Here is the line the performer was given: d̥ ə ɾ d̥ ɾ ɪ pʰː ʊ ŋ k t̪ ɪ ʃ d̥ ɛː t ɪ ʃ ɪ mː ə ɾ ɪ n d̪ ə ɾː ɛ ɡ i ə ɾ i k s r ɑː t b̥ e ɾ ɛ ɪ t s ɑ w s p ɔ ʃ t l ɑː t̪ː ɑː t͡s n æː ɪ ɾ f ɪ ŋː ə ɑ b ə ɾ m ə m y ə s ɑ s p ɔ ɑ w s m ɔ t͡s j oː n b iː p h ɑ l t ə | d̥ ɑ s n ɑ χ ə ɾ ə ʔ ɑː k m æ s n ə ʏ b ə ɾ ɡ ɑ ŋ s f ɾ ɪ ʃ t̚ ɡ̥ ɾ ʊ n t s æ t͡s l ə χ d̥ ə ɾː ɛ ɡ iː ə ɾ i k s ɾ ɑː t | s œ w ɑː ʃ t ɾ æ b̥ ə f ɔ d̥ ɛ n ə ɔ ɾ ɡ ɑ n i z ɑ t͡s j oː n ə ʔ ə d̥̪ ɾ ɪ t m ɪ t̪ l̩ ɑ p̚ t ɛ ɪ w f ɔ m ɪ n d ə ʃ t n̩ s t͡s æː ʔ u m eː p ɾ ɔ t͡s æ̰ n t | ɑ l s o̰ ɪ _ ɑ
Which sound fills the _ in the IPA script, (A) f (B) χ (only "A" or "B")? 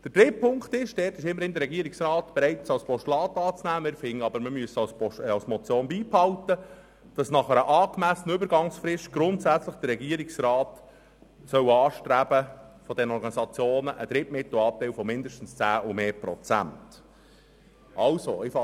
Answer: A